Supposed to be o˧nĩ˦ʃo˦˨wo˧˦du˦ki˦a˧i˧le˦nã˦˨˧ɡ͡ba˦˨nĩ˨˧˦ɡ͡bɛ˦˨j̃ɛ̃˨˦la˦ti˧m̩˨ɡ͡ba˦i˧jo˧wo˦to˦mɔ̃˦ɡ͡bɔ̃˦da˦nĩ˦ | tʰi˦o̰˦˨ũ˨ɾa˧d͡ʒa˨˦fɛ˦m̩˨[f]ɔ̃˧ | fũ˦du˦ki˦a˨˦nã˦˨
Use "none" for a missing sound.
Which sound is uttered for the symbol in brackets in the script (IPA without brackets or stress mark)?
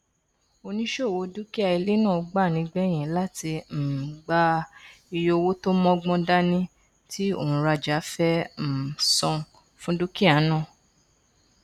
s